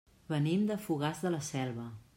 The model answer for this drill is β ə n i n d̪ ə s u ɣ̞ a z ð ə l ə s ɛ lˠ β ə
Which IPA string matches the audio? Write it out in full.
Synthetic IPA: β ə n i m d̪ ə f u ɣ̞ a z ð ə l ə s ɛ lˠ β ə